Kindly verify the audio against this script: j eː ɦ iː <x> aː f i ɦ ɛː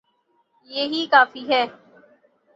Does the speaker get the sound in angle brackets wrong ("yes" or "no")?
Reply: yes